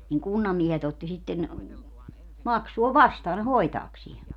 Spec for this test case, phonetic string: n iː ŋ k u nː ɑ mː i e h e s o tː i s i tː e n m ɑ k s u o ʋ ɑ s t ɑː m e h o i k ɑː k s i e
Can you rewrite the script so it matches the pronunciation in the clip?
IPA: n i ŋ k u nː ɑ mː i e h e t o tː i s i tː e n m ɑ k s u o ʋ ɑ s t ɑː n e h o i t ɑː k s i e